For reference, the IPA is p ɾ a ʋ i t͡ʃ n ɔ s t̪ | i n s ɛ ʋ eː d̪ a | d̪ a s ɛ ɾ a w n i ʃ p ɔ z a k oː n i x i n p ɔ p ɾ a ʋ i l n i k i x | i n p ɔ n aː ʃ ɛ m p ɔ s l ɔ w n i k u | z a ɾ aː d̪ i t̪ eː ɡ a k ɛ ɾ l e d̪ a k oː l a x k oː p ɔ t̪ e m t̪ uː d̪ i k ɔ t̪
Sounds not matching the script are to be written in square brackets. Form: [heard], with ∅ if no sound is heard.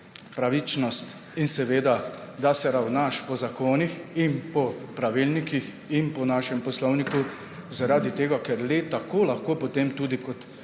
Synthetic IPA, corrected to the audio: p ɾ a ʋ i t͡ʃ n ɔ s t̪ | i n s ɛ ʋ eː d̪ a | d̪ a s ɛ ɾ a w n [a] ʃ p ɔ z a k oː n i x i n p ɔ p ɾ a ʋ i l n i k i x | i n p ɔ n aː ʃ ɛ m p ɔ s l ɔ w n i k u | z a ɾ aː d̪ i t̪ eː ɡ a k ɛ ɾ l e [t̪] a k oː l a x k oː p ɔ t̪ e m t̪ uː d̪ i k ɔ t̪

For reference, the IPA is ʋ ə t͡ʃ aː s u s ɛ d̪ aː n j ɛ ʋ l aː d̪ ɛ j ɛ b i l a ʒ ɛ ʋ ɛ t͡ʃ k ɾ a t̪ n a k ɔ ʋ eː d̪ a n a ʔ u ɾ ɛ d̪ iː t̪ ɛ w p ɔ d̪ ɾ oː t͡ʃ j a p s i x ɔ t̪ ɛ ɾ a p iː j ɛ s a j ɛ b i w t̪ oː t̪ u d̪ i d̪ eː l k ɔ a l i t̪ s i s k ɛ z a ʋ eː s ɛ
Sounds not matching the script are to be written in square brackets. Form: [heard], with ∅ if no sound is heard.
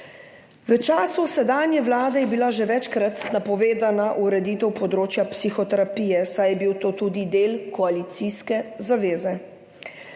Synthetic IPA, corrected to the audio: ʋ ə t͡ʃ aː s u s ɛ d̪ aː n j ɛ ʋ l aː d̪ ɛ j ɛ b i l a ʒ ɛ ʋ ɛ t͡ʃ k ɾ a t̪ n a [p] ɔ ʋ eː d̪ a n a ʔ u ɾ ɛ d̪ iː t̪ ɛ w p ɔ d̪ ɾ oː t͡ʃ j a p s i x ɔ t̪ ɛ ɾ a p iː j ɛ s a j ɛ b i w t̪ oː t̪ u d̪ i d̪ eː l k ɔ a l i t̪ s i s k ɛ z a ʋ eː [z] ɛ

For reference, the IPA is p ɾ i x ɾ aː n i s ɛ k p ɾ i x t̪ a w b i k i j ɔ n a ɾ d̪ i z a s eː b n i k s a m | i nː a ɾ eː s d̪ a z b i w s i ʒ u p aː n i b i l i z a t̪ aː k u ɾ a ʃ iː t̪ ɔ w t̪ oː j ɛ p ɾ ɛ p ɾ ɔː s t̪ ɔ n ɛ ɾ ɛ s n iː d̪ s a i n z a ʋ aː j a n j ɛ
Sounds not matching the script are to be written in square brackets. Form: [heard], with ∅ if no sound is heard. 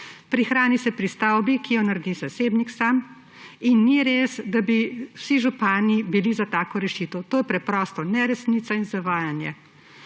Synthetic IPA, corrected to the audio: p ɾ i x ɾ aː n i s ɛ [∅] p ɾ i [s] t̪ a w b i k i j ɔ n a ɾ d̪ i z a s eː b n i k s a m | i nː [i] ɾ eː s d̪ a [∅] b i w s i ʒ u p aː n i b i l i z a t̪ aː k [ɔ] ɾ [ɛ] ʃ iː t̪ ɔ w t̪ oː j ɛ p ɾ ɛ p ɾ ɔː s t̪ ɔ n ɛ ɾ ɛ s n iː [t̪] s a i n z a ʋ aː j a n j ɛ

